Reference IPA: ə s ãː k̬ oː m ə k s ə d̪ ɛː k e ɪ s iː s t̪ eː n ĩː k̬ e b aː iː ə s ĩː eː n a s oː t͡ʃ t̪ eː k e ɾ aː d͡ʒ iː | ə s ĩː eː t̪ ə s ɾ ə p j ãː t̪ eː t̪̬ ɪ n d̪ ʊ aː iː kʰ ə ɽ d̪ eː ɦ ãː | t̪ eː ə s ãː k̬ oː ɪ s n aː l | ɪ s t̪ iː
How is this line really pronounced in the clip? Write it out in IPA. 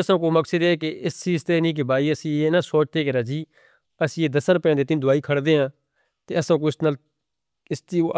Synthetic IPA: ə s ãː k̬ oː m ə k s ə d̪ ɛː k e ɪ s iː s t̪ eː n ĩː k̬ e b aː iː ə s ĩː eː n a s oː t͡ʃ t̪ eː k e ɾ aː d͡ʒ iː | ə s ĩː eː d̪ ə s ɾ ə p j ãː d̪ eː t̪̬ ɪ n d̪ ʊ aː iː kʰ ə ɽ d̪ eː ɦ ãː | t̪ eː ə s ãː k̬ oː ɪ s n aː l | ɪ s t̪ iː